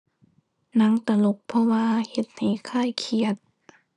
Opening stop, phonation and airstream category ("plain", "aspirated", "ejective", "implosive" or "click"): plain